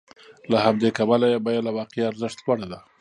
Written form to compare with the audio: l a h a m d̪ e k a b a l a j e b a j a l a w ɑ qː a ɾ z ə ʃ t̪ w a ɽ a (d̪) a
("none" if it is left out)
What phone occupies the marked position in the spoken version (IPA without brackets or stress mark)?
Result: d̪